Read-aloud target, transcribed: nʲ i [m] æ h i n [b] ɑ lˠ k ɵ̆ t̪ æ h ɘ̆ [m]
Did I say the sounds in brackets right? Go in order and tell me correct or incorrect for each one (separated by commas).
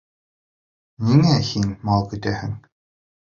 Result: incorrect, incorrect, incorrect